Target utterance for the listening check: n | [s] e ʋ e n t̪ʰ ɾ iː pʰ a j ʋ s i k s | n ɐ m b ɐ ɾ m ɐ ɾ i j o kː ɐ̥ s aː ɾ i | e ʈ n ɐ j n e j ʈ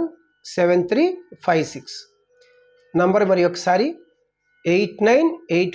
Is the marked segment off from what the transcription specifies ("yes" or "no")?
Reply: no